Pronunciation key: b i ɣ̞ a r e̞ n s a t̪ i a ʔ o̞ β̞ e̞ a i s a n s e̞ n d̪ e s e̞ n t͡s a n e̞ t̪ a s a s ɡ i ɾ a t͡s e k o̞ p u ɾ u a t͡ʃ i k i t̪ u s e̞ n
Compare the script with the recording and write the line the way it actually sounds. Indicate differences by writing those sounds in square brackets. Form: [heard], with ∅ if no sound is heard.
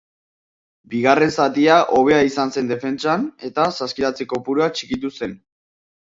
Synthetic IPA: b i ɣ̞ a r e̞ n s a t̪ i a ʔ o̞ β̞ e̞ a i s a n s e̞ n d̪ e [f] e̞ n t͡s a n e̞ t̪ a s a s [k] i ɾ a t͡s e k o̞ p u ɾ u a t͡ʃ i k i t̪ u s e̞ n

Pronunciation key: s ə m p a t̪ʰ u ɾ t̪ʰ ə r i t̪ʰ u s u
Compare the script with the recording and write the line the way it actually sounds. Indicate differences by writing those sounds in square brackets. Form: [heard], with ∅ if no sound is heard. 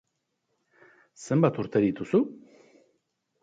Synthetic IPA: s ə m [b] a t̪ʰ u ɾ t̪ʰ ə [ɾ] i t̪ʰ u s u

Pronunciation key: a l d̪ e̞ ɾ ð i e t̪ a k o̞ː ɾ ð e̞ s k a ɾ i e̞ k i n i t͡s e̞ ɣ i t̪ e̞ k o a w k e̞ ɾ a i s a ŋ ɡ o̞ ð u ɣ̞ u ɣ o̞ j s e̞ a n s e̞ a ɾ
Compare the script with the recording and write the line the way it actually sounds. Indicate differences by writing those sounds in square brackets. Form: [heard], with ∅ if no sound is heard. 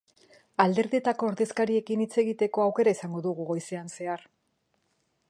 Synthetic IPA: a l d̪ e̞ ɾ ð i e t̪ a k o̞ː ɾ ð e̞ s k a ɾ i e̞ k i n i t͡s e̞ ɣ i t̪ e̞ k o a w k e̞ ɾ a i s a ŋ ɡ o̞ ð u ɣ̞ u ɣ o̞ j s e̞ a n s e̞ a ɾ

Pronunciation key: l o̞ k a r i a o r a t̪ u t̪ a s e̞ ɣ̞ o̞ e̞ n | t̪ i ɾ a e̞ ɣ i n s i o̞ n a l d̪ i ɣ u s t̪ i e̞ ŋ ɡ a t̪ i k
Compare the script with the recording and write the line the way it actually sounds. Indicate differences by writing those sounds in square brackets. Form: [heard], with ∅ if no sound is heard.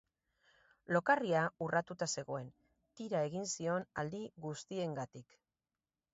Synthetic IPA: l o̞ k a r i a [u] r a t̪ u t̪ a s e̞ ɣ̞ o̞ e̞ n | t̪ i ɾ a e̞ ɣ i n s i o̞ n a l d̪ i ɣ u s t̪ i e̞ ŋ ɡ a t̪ i k

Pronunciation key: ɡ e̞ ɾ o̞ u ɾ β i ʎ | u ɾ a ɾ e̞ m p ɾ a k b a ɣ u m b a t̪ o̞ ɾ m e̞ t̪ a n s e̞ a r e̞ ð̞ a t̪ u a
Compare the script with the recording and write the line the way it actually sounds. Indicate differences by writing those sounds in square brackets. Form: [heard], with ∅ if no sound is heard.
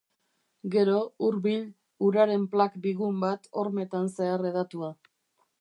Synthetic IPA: ɡ e̞ ɾ o̞ u ɾ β i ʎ | u ɾ a ɾ e̞ m p [l] a k b [i] ɣ u m b a t̪ o̞ ɾ m e̞ t̪ a n s e̞ a r e̞ ð̞ a t̪ u a

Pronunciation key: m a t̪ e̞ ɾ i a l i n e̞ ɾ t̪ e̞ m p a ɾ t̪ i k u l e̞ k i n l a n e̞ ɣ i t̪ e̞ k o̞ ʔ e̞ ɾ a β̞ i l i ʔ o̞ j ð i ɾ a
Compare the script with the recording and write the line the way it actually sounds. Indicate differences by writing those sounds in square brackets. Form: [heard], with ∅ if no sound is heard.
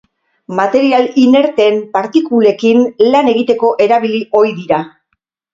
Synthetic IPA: m a t̪ e̞ ɾ i a l i n e̞ ɾ t̪ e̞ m p a ɾ t̪ i k u l e̞ k i n l a n e̞ ɣ i t̪ e̞ k o̞ ʔ e̞ ɾ a β̞ i l i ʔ o̞ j ð i ɾ a

